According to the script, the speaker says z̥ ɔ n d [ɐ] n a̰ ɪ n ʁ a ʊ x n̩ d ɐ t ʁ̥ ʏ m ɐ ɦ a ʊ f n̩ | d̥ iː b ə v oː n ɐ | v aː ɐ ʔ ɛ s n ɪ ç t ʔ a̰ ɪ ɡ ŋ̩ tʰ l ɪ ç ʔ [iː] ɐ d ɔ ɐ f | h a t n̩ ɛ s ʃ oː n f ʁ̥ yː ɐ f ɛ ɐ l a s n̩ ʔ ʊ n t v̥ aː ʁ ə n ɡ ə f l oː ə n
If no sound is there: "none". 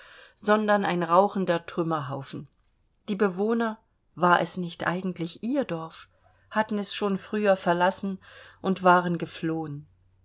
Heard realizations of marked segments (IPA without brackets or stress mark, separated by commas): ɐ, iː